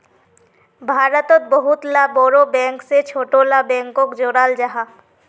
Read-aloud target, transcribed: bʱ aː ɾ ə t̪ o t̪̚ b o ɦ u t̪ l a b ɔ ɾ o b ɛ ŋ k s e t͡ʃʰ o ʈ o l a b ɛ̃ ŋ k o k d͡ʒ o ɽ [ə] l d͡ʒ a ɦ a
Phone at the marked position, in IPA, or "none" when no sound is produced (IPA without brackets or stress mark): a